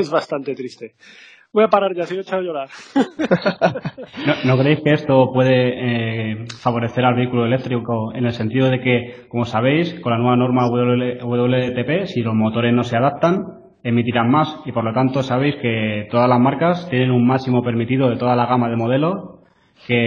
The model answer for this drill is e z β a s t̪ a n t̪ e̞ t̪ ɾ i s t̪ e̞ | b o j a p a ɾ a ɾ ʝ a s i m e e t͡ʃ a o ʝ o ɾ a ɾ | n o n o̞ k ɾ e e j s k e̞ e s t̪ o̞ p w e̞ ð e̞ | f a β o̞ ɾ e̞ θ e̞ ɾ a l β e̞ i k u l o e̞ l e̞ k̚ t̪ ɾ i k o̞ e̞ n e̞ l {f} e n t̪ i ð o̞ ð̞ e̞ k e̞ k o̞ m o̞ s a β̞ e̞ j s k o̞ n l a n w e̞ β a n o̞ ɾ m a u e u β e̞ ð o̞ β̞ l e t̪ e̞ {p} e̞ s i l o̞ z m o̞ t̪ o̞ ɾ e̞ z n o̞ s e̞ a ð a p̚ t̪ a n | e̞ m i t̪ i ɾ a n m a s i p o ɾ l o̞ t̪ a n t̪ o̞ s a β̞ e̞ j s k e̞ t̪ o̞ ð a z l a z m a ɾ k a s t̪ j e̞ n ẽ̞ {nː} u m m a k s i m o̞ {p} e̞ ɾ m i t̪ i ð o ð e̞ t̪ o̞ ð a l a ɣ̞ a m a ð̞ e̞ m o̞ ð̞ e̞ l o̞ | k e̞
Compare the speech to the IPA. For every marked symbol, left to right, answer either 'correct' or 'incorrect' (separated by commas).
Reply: incorrect, correct, incorrect, correct